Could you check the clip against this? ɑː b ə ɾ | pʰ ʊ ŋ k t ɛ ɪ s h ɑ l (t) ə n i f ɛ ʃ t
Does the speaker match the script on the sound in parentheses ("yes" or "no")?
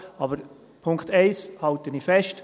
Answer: yes